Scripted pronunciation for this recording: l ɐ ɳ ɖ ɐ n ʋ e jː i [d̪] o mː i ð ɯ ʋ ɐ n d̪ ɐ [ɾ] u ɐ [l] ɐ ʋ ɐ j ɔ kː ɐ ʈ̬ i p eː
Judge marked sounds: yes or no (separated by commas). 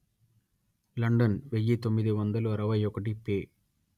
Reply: no, no, no